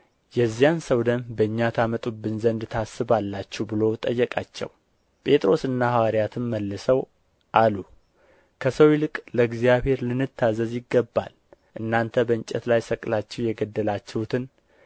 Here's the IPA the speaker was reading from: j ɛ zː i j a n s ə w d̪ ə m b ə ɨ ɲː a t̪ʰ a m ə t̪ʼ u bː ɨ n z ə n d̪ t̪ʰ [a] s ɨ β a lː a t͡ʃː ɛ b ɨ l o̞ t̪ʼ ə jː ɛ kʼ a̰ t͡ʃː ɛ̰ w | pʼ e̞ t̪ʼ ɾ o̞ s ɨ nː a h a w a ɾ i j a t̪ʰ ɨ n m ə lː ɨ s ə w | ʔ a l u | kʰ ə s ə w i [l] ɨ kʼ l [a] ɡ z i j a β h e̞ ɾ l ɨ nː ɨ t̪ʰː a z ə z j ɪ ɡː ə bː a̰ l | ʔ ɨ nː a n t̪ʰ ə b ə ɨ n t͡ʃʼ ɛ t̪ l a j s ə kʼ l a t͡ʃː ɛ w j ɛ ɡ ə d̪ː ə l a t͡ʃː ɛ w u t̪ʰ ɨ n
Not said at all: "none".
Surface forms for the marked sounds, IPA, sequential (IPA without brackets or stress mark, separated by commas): a, l, ə